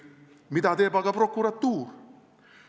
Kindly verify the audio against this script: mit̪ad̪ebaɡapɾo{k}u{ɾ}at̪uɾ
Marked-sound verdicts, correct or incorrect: correct, correct

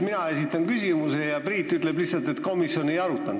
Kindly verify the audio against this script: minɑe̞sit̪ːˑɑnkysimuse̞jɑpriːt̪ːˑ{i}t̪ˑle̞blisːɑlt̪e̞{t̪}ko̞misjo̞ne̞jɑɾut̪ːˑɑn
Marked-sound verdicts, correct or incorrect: incorrect: y, correct

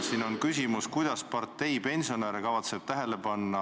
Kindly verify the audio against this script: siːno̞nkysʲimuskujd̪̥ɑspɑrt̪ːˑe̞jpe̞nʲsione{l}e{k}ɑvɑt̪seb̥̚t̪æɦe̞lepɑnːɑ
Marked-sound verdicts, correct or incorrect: incorrect: ɾ, correct

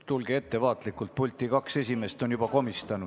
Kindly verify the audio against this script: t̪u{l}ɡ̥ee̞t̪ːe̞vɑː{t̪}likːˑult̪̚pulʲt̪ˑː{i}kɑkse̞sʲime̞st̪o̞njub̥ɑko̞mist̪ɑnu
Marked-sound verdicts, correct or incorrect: correct, correct, correct

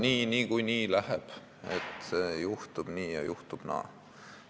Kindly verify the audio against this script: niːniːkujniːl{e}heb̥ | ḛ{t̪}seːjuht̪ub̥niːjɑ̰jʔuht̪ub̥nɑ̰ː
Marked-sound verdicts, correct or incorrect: incorrect: æ, correct

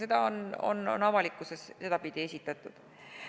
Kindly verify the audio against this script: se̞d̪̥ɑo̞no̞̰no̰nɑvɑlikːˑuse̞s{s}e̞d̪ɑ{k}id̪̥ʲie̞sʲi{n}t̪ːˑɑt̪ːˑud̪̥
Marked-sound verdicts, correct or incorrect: correct, incorrect: p, incorrect: none

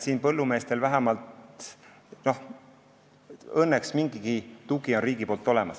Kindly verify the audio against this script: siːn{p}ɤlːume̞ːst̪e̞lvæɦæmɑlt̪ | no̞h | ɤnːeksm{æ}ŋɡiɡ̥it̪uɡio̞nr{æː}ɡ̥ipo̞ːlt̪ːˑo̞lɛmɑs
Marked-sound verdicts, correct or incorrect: correct, incorrect: i, incorrect: iː

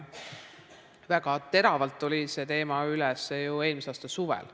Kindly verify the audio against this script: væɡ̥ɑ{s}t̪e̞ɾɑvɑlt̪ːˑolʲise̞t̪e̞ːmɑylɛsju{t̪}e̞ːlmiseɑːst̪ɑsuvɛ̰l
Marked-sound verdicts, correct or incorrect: incorrect: none, incorrect: none

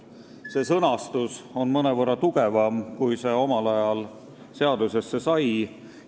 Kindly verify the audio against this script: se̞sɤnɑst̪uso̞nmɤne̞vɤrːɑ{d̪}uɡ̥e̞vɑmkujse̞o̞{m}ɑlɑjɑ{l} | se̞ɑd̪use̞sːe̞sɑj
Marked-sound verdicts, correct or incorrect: incorrect: t̪, correct, correct

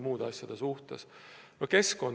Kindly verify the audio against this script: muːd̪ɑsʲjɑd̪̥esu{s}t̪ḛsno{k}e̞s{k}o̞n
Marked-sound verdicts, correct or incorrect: incorrect: h, correct, correct

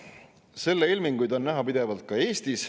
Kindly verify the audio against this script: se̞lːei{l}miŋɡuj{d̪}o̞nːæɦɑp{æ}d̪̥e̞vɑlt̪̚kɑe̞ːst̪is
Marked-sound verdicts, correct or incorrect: correct, correct, incorrect: i

